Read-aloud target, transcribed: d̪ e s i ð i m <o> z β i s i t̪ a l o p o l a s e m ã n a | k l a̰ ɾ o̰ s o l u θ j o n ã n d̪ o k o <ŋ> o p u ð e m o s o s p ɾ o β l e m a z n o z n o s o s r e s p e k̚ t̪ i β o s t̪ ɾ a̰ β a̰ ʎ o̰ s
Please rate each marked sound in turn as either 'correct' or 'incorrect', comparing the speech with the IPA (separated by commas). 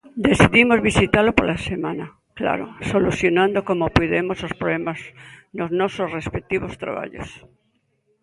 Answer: correct, incorrect